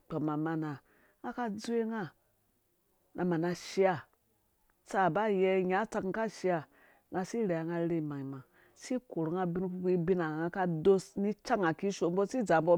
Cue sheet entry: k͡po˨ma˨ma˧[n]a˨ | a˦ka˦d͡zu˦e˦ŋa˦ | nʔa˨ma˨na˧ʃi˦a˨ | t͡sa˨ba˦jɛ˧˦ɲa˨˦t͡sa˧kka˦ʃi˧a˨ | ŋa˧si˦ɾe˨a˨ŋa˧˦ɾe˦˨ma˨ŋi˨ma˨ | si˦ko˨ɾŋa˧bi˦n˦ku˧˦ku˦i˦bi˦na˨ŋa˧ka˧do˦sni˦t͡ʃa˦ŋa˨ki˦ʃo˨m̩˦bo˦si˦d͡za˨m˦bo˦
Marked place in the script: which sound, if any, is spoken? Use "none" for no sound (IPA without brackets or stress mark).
n